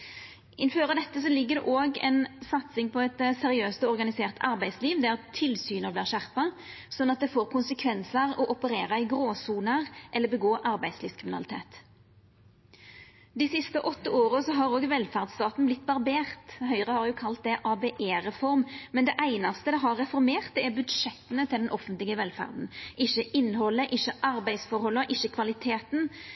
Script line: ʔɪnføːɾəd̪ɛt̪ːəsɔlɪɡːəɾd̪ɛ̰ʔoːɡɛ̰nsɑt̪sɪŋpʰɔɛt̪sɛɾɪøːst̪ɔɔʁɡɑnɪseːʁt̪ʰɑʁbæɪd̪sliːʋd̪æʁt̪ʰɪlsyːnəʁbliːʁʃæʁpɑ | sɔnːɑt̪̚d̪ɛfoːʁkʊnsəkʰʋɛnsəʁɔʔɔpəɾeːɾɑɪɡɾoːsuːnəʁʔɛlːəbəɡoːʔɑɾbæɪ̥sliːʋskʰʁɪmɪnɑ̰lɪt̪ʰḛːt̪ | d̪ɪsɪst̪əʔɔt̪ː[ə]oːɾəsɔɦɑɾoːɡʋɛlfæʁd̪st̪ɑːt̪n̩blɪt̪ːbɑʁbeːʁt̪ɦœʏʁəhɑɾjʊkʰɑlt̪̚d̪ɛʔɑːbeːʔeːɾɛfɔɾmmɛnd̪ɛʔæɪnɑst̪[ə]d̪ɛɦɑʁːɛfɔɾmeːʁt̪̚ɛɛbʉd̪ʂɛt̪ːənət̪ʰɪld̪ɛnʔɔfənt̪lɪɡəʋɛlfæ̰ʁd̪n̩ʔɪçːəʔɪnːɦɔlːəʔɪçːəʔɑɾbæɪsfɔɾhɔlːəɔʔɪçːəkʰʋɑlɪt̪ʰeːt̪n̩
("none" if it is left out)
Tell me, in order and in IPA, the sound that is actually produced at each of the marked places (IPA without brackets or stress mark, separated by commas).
ə, ə